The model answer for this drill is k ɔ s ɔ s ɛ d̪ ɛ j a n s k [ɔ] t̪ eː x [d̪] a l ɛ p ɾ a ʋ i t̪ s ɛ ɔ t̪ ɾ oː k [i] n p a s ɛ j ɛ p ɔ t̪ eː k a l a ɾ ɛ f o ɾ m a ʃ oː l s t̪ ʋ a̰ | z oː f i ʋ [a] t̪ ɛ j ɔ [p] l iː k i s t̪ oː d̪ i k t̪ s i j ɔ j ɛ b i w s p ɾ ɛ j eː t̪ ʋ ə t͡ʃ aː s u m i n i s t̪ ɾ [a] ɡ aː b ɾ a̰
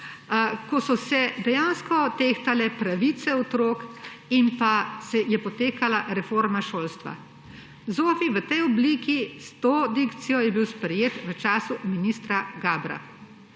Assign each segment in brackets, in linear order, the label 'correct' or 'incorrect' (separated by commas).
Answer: correct, incorrect, correct, incorrect, incorrect, correct